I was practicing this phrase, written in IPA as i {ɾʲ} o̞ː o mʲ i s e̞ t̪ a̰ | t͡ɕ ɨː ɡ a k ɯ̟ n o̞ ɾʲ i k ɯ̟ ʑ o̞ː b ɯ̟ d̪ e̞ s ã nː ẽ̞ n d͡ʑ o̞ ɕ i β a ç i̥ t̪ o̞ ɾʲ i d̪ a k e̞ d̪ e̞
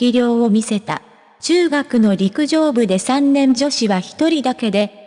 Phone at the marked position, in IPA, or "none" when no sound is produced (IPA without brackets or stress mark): ɾʲ